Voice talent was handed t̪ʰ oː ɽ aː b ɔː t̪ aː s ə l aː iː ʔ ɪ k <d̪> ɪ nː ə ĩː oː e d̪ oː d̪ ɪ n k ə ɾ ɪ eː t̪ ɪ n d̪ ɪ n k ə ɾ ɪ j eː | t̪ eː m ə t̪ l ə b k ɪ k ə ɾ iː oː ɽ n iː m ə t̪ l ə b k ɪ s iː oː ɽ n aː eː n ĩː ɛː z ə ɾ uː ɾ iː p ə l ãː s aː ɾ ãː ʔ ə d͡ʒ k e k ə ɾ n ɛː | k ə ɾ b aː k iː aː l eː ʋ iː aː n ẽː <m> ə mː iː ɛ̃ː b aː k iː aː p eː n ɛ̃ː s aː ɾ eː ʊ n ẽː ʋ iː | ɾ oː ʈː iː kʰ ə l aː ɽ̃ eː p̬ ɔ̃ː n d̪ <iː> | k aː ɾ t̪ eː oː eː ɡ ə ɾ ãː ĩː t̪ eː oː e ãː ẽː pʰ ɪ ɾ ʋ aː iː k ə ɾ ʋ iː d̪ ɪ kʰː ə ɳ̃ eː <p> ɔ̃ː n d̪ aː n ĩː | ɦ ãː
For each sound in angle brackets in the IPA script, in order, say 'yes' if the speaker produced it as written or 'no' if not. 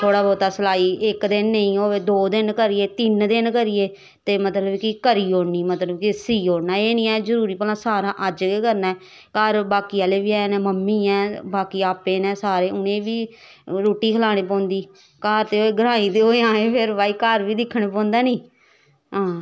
yes, yes, yes, yes

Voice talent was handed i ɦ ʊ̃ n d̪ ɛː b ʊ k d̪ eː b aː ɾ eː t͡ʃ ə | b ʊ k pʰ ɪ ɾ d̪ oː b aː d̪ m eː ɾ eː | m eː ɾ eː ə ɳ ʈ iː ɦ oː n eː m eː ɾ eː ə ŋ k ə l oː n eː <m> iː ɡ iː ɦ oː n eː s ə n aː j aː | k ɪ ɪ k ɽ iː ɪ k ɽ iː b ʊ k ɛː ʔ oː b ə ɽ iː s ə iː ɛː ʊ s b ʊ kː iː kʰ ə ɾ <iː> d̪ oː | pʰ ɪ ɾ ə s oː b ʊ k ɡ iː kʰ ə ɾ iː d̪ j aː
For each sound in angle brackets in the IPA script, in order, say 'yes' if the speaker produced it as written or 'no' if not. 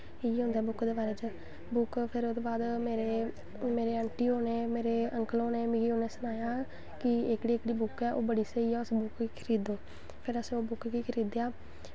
yes, yes

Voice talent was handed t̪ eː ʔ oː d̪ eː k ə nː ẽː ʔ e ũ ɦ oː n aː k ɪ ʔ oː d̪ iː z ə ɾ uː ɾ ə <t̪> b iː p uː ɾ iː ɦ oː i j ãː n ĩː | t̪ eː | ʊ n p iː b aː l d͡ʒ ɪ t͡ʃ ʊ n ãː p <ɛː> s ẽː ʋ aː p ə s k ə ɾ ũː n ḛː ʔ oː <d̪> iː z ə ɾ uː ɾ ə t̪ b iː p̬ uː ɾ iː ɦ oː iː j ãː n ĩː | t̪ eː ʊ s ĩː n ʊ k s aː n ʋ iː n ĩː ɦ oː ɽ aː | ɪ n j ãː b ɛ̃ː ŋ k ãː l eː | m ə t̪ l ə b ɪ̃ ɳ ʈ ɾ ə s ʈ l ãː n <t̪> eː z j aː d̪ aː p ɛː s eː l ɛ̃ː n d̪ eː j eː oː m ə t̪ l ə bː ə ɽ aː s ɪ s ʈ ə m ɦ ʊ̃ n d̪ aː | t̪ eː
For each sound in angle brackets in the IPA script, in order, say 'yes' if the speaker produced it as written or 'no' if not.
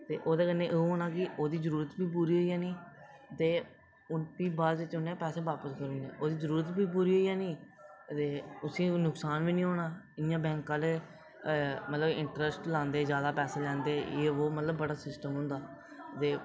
yes, yes, yes, no

